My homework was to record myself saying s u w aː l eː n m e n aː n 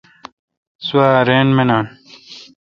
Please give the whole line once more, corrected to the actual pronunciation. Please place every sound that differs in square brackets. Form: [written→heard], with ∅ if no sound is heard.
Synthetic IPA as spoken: s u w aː [l→ɾ] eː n m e n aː n